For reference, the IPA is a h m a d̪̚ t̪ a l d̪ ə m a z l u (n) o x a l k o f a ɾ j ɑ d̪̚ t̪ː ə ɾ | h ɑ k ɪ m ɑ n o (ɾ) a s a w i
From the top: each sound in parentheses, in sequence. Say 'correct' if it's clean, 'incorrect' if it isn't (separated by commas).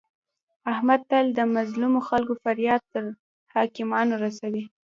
incorrect, correct